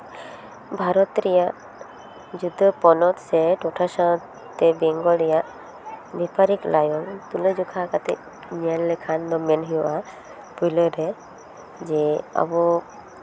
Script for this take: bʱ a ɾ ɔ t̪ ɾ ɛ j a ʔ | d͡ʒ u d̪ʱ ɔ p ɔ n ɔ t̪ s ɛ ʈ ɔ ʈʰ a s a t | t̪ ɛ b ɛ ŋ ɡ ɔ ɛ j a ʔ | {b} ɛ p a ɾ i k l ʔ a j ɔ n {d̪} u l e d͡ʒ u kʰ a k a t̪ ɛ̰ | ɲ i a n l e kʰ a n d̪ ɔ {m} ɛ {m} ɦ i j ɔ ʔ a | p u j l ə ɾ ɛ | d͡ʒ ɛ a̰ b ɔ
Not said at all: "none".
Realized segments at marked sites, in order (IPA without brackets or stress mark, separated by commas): b, t̪, m, n